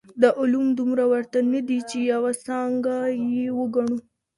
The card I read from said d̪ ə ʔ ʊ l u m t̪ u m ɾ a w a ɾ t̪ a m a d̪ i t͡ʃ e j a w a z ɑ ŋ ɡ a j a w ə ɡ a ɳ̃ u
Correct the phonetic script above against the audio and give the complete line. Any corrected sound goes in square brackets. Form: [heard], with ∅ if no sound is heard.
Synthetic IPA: d̪ ə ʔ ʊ l u m [d̪] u m ɾ a w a ɾ t̪ a [n] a d̪ i t͡ʃ e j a w a [s] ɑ ŋ ɡ a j [e] w ə ɡ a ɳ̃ u